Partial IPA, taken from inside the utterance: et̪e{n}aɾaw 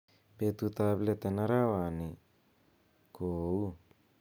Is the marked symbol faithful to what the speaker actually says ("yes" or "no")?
yes